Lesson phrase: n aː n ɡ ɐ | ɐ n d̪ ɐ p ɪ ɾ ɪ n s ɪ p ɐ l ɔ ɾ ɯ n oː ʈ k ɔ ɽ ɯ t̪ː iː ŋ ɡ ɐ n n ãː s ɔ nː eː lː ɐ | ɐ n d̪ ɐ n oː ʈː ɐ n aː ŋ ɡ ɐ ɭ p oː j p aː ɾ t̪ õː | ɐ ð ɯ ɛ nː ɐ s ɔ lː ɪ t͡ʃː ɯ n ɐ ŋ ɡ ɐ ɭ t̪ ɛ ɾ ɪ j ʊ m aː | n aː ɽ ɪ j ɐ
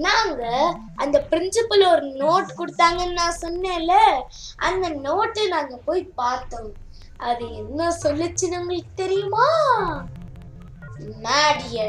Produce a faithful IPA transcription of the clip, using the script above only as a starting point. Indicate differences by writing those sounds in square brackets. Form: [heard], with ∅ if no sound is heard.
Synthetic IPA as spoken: n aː [ŋ] ɡ ɐ | ɐ n d̪ ɐ p ɪ ɾ ɪ n s ɪ p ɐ l ɔ ɾ ɯ n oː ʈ k ɔ ɽ ɯ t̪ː [aː] ŋ ɡ ɐ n n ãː s ɔ nː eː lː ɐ | ɐ n d̪ ɐ n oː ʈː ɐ n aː ŋ ɡ ɐ [∅] p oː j p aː ɾ t̪ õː | ɐ ð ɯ ɛ nː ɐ s ɔ lː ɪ t͡ʃː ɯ n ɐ ŋ ɡ ɐ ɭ t̪ ɛ ɾ ɪ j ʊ m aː | n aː ɽ ɪ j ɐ